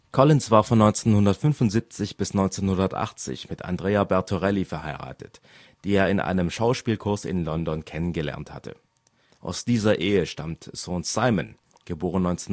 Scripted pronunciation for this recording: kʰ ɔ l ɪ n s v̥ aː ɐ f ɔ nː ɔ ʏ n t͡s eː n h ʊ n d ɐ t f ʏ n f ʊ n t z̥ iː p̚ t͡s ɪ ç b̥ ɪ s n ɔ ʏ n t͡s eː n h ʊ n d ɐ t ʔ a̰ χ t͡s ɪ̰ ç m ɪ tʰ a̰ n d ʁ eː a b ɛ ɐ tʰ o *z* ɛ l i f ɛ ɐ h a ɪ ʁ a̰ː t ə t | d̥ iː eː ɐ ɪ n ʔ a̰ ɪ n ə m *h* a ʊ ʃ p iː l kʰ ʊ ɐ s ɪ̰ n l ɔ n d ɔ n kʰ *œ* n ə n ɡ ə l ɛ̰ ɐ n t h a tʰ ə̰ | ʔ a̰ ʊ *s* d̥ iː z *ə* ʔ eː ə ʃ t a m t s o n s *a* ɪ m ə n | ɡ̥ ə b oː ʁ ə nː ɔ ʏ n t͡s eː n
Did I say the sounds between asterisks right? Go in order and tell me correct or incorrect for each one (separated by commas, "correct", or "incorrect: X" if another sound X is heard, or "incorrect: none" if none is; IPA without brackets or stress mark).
incorrect: ʁ, incorrect: ʃ, incorrect: ɛ, correct, incorrect: ɐ, correct